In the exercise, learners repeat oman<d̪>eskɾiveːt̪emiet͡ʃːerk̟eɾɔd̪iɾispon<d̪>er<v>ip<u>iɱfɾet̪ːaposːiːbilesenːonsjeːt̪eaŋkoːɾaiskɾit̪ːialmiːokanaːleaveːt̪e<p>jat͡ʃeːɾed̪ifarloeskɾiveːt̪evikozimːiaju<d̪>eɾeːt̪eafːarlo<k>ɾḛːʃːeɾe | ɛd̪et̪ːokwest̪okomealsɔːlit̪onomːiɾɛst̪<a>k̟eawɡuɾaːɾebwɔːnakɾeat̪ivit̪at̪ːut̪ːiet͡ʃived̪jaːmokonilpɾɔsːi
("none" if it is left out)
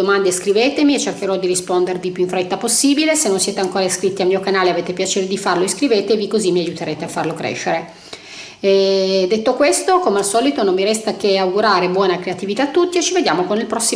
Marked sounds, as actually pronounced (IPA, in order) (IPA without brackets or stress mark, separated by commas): d̪, d̪, v, u, p, t̪, k, a